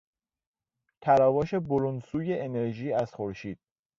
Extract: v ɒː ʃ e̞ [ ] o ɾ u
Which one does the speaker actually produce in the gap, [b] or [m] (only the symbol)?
b